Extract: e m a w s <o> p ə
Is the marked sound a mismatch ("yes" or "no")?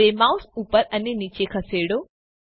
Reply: yes